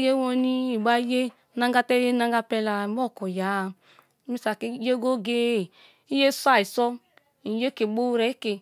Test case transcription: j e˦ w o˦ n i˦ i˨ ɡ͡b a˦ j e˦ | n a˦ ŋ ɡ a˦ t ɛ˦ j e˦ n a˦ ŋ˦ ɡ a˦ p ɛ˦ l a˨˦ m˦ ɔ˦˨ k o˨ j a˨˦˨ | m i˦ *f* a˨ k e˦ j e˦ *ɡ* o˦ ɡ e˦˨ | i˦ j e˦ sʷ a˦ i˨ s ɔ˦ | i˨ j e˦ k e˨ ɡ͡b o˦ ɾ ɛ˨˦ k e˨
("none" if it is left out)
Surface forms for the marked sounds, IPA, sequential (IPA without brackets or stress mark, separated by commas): s, ɡ